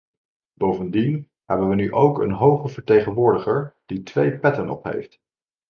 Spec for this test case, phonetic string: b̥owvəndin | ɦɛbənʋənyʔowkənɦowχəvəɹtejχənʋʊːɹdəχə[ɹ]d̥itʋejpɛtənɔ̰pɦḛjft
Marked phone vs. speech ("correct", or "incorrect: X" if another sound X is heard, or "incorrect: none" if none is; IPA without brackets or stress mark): correct